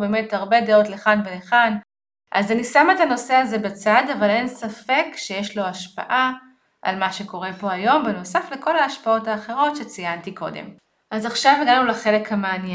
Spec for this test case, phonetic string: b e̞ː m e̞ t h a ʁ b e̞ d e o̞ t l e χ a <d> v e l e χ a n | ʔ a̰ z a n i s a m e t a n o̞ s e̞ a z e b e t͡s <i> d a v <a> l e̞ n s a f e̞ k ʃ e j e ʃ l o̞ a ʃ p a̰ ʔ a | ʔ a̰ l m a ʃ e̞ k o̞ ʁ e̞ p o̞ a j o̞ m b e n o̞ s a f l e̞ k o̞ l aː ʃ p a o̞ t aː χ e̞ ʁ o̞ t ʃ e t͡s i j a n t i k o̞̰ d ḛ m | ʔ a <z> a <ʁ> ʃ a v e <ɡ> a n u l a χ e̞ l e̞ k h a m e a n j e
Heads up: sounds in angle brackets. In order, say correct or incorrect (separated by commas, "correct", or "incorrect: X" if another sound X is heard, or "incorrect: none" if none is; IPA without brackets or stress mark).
incorrect: n, incorrect: a, correct, correct, incorrect: χ, correct